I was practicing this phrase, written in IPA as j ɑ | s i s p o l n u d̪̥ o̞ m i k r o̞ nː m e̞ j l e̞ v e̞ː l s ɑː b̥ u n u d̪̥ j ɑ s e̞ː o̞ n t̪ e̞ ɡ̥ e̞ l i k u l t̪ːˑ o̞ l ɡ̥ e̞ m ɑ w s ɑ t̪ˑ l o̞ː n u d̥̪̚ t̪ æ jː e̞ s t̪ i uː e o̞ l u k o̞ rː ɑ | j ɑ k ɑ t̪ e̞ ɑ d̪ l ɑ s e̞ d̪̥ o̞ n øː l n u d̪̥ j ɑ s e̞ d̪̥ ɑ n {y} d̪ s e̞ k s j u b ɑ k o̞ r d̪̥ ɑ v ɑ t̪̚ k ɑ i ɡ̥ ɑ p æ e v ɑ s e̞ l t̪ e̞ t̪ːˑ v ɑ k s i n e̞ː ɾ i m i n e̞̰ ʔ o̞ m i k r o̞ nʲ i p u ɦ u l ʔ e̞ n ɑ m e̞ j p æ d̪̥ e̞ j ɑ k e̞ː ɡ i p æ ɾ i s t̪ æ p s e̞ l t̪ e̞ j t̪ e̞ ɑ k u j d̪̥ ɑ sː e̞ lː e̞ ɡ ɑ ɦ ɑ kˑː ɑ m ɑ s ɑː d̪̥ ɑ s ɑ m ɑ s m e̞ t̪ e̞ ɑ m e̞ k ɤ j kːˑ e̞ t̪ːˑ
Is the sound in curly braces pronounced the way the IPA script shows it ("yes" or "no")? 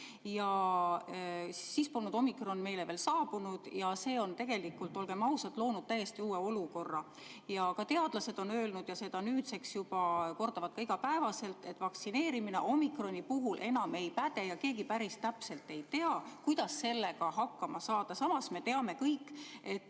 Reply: no